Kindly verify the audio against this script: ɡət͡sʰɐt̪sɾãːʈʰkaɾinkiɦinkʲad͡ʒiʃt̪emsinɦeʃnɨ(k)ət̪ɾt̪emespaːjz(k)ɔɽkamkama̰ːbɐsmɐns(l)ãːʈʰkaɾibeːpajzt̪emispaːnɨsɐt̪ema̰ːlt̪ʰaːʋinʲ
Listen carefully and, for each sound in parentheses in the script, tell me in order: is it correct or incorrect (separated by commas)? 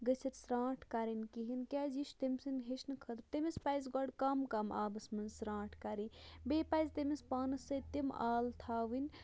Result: incorrect, incorrect, incorrect